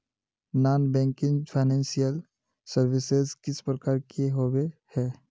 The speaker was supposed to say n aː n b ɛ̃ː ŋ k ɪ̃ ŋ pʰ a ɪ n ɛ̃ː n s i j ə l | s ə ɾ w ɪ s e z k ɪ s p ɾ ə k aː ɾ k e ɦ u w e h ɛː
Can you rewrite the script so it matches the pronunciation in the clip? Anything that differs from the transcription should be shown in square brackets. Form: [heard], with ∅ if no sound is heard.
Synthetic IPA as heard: n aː n b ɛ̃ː ŋ k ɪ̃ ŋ pʰ a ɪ n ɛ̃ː n s i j ə l | s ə ɾ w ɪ s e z k ɪ s p ɾ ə k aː ɾ k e ɦ [o] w e h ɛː